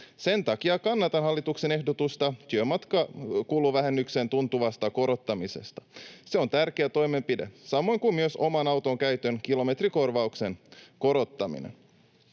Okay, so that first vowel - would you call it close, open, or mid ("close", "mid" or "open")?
mid